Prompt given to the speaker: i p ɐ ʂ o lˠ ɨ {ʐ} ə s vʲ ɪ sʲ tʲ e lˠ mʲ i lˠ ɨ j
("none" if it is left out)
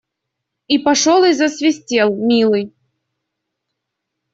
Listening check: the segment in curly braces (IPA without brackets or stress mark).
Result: z